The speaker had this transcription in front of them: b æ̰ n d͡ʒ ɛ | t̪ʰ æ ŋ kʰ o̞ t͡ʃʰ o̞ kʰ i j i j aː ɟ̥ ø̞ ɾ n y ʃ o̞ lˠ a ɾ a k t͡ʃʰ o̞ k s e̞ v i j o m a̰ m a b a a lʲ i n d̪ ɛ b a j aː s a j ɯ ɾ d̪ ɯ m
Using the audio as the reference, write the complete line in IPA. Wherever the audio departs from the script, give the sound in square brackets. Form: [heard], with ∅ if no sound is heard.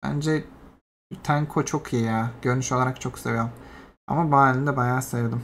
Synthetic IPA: b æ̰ n d͡ʒ ɛ | t̪ʰ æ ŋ kʰ o̞ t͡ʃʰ o̞ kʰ i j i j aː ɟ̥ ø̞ ɾ n y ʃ o̞ lˠ a ɾ a k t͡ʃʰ o̞ k s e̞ v i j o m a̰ m a b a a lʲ i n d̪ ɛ b a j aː s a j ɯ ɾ d̪ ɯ m

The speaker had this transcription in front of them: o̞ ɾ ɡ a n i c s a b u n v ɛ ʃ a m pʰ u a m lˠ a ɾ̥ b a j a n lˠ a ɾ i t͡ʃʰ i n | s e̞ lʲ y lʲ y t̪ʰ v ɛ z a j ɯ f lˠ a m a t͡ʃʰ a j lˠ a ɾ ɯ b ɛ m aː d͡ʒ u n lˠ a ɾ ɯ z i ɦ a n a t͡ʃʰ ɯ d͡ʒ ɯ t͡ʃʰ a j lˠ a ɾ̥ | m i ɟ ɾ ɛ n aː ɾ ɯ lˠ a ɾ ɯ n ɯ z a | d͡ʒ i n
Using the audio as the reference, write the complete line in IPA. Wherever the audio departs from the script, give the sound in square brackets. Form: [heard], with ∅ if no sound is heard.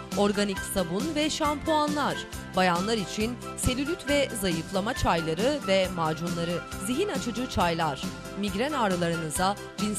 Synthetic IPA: o̞ ɾ ɡ a n i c s a b u n v ɛ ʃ a m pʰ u a [n] lˠ a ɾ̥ b a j a n lˠ a ɾ i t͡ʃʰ i n | s e̞ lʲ y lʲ y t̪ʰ v ɛ z a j ɯ f lˠ a m a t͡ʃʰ a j lˠ a ɾ ɯ [v] ɛ m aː d͡ʒ u n lˠ a ɾ ɯ z i ɦ [i] n a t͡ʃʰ ɯ d͡ʒ ɯ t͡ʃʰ a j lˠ a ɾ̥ | m i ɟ ɾ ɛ n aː ɾ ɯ lˠ a ɾ ɯ n ɯ z a | d͡ʒ i n

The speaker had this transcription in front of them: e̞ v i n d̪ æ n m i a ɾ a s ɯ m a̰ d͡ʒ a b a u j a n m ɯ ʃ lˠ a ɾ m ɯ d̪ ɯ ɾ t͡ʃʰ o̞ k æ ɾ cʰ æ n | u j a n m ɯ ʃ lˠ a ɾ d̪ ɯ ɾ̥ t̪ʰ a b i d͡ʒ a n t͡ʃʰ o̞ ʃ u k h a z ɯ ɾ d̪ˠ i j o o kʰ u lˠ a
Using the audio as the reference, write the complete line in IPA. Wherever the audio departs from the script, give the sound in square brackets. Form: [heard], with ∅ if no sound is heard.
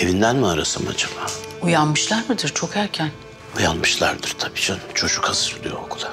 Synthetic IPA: e̞ v i n d̪ æ n m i a ɾ a s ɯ m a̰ d͡ʒ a b a u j a n m ɯ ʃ lˠ a ɾ m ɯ d̪ ɯ ɾ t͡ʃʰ o̞ k æ ɾ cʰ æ n | u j a n m ɯ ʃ lˠ a ɾ d̪ ɯ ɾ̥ t̪ʰ a b i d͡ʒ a n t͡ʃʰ o̞ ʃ u k h a z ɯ ɾ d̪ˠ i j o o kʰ u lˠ a

